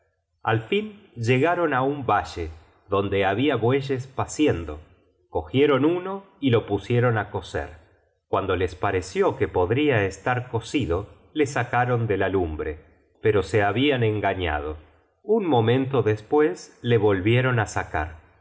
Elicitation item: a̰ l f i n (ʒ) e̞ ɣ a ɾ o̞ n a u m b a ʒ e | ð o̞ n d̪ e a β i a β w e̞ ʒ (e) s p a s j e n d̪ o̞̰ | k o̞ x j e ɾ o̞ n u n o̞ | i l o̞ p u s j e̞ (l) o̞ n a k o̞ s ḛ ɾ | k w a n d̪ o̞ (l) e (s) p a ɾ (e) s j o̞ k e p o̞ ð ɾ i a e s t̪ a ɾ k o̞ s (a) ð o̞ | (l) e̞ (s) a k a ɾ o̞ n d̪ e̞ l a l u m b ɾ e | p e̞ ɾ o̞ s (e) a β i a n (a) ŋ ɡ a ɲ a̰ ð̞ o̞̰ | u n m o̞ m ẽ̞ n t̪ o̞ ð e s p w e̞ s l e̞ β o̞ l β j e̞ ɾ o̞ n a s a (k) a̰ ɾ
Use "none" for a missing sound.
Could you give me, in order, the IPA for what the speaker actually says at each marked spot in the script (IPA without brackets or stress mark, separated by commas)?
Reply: ʒ, e, ɾ, l, s, e, i, l, s, e, e, k